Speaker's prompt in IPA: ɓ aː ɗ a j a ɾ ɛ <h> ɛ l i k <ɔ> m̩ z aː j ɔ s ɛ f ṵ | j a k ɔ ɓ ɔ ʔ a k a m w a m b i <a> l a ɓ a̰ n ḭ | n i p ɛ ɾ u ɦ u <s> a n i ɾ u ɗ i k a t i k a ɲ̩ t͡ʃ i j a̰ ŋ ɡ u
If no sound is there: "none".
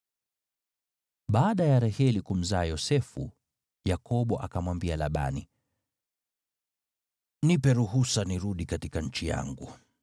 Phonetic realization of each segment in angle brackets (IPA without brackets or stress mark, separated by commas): h, u, a, s